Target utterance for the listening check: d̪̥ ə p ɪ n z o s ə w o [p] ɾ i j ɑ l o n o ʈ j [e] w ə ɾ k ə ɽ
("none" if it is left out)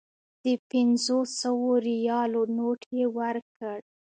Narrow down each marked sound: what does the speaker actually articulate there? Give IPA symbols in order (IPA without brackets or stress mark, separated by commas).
none, e